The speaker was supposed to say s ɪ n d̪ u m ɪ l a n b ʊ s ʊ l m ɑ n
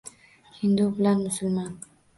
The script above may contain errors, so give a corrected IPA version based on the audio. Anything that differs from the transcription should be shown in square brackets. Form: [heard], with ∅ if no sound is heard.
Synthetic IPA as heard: [h] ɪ n d̪ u [b] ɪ l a n [m] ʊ s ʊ l m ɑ n